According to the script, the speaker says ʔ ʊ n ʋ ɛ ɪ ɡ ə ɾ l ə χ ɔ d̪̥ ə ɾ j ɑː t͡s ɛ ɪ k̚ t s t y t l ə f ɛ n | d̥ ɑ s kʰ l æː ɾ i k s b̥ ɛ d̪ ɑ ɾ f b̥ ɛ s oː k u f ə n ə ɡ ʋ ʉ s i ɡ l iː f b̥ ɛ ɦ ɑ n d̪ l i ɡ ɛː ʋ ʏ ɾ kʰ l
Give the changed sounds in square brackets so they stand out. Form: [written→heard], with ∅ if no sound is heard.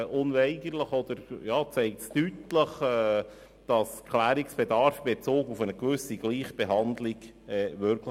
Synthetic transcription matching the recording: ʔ ʊ n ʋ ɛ ɪ ɡ ə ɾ l ə χ ɔ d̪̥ ə ɾ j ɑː t͡s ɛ ɪ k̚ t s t y t l ə [f→χ] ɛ [n→∅] | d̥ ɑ s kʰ l æː ɾ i k s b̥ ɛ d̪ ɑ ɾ f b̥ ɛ [s→t͡s] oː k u f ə n ə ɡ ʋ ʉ s i ɡ l iː [f→χ] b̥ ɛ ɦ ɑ n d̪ l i ɡ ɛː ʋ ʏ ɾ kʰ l